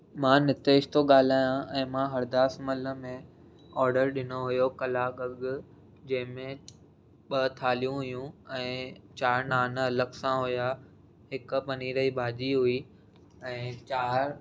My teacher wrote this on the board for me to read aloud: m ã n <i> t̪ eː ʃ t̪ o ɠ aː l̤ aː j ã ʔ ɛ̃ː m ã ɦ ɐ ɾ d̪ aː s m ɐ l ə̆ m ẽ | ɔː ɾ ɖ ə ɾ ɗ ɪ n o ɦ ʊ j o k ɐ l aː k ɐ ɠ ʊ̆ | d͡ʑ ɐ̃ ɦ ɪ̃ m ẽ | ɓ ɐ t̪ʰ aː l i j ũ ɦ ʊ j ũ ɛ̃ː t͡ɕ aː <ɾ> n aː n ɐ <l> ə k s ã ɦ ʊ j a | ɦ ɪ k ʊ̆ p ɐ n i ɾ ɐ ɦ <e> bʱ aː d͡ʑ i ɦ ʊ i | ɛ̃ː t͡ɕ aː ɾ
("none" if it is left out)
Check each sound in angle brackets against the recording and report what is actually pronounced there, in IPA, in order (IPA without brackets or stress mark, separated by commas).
ɪ, ɾ, l, i